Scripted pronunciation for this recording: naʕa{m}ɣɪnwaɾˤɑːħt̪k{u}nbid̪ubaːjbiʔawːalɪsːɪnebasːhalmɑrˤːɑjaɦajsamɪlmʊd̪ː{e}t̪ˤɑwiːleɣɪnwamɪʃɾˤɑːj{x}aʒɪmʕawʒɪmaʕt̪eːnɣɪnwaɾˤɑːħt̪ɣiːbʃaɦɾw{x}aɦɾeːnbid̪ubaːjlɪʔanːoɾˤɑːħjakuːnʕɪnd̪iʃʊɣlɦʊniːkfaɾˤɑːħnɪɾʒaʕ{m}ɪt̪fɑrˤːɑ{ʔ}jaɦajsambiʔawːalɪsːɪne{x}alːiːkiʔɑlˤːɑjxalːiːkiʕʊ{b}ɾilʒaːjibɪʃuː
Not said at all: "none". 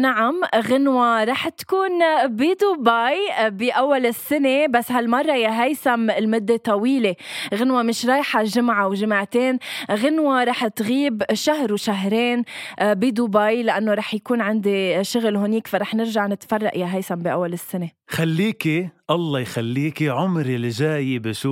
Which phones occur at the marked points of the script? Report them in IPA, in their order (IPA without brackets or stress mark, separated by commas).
m, uː, e, ħ, ʃ, n, ʔ, x, m